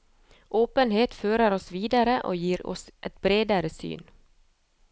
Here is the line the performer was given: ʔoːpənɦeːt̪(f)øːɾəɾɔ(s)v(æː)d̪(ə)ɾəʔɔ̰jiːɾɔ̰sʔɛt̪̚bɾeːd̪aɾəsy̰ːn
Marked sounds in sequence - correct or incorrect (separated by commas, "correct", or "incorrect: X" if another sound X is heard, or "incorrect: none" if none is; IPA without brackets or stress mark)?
correct, correct, incorrect: iː, incorrect: a